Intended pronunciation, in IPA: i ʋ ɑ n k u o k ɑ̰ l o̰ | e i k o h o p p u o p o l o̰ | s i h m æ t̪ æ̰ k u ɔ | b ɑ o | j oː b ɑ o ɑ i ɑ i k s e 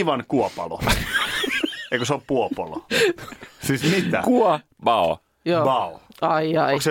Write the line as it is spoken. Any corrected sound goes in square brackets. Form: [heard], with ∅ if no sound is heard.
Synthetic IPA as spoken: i ʋ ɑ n k u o [p] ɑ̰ l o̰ | e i k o [s] o p p u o p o l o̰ | s i [s] m [i] t̪ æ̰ k u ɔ | b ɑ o | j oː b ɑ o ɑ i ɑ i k s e